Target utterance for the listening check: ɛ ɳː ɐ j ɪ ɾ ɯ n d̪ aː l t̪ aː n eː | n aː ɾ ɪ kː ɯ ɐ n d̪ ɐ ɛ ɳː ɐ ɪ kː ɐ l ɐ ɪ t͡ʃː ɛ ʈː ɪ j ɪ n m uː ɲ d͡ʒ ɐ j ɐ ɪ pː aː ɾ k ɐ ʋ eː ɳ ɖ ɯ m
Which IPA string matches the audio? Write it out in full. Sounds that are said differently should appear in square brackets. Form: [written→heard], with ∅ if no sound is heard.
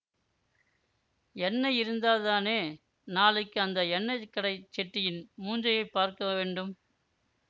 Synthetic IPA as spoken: ɛ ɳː ɐ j ɪ ɾ ɯ n d̪ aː l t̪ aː n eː | n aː [ɾ→l] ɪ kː ɯ ɐ n d̪ ɐ ɛ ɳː ɐ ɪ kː ɐ [l→ɽ] ɐ ɪ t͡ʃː ɛ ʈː ɪ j ɪ n m uː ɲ d͡ʒ ɐ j ɐ ɪ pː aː ɾ k ɐ ʋ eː ɳ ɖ ɯ m